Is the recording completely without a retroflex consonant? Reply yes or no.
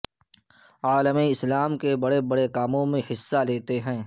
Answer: no